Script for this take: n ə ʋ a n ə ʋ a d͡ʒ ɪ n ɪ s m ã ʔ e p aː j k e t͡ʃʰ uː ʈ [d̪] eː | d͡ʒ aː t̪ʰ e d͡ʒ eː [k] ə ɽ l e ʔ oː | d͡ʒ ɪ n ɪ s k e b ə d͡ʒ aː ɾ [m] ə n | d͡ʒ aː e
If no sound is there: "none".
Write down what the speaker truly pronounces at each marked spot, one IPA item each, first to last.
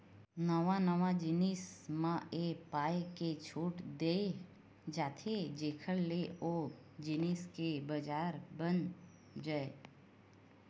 d̪, kʰ, b

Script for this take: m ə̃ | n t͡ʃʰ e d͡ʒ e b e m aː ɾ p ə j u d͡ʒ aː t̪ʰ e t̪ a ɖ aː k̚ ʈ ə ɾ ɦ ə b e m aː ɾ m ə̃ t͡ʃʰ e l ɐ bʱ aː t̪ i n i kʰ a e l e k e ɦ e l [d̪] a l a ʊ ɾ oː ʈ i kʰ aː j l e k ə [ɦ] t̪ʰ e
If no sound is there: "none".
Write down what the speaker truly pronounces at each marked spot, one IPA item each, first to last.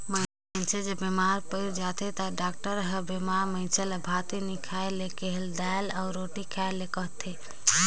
d̪, ɦ

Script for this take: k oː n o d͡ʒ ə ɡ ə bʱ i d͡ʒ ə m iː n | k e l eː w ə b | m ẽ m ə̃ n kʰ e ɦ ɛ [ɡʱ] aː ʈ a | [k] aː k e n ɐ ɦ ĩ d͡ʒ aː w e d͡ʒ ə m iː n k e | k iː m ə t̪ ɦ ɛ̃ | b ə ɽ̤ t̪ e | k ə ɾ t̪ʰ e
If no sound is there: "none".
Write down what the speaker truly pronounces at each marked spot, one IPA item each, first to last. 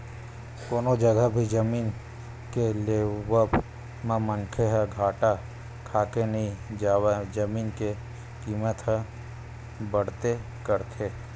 ɡʱ, kʰ

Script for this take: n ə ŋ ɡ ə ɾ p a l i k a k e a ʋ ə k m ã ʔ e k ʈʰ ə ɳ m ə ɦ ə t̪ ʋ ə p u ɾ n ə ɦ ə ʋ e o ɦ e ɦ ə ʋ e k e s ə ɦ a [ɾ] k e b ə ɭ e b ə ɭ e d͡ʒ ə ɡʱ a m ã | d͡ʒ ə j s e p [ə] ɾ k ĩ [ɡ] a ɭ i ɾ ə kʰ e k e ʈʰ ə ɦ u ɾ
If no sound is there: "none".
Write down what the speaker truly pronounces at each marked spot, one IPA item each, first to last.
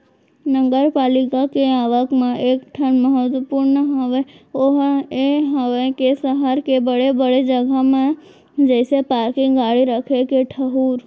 ɾ, a, ɡ

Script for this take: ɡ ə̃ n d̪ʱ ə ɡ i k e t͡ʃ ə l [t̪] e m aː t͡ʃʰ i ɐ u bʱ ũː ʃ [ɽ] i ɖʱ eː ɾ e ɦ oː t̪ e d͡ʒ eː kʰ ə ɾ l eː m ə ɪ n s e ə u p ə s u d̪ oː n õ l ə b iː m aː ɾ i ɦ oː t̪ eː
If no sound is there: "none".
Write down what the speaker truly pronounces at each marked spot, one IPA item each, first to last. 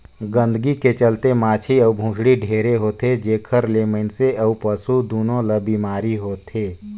t̪, ɽ

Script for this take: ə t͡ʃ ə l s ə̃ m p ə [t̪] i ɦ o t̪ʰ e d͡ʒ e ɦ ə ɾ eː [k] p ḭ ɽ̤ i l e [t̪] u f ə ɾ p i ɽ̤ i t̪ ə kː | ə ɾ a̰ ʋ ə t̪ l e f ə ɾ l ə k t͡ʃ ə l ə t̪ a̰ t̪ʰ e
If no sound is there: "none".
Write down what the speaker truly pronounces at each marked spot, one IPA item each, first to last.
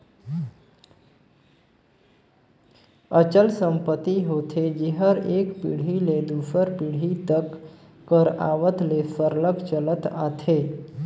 t̪, k, d̪

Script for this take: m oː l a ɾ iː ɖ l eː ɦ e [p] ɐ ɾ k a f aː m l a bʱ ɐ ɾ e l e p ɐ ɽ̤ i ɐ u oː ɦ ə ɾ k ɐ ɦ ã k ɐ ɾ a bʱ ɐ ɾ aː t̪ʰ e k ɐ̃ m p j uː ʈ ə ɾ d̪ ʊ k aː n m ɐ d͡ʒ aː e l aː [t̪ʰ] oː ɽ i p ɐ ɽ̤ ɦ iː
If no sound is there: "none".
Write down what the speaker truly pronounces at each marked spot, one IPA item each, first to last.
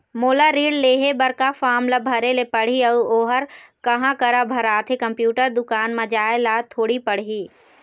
b, t̪ʰ

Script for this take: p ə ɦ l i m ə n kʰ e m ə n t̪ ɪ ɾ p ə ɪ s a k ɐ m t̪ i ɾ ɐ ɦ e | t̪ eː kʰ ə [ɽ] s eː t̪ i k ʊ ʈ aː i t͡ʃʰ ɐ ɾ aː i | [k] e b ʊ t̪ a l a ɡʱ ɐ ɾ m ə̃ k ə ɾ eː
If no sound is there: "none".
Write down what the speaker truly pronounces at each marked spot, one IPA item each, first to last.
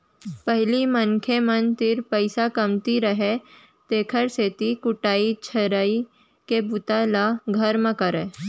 ɾ, k

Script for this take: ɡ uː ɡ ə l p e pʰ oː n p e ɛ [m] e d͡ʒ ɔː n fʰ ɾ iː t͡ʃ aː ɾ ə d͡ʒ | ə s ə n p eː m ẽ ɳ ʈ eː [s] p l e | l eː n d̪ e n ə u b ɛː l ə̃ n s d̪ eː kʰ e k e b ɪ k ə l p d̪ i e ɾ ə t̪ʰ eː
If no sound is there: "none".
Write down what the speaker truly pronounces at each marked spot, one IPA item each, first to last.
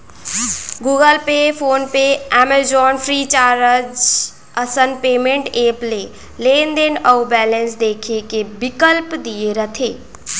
m, none

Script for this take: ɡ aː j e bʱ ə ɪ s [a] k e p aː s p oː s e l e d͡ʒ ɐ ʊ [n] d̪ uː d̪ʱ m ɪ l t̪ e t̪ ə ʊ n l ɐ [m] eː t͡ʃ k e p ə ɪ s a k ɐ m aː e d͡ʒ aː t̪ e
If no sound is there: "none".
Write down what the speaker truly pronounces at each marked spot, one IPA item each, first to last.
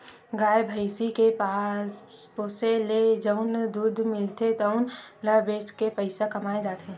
i, n, b

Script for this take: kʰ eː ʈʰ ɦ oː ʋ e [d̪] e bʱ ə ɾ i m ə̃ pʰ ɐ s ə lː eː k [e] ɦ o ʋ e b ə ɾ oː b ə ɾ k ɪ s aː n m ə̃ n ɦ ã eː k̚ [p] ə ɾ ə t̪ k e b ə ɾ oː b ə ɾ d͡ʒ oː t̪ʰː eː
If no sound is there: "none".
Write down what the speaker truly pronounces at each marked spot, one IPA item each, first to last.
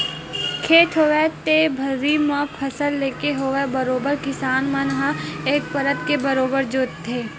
t̪, e, p

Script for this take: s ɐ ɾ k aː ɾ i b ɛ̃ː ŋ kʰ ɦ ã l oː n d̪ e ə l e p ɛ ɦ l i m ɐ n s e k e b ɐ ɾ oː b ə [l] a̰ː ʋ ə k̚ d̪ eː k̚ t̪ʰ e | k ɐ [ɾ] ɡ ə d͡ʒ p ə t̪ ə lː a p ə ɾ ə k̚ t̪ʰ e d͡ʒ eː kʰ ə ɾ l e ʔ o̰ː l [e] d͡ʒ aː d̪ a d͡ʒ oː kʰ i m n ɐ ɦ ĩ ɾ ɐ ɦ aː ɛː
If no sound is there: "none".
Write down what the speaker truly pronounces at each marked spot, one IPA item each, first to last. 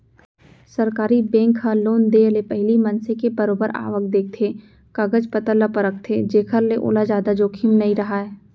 ɾ, none, a

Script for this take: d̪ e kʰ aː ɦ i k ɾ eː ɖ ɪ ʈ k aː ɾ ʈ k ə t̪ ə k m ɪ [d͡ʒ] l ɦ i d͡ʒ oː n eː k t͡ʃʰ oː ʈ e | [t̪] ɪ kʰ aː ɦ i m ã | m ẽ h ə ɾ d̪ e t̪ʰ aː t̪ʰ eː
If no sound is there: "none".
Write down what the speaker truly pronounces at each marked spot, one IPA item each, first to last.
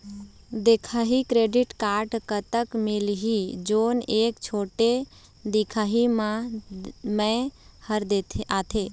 none, d̪

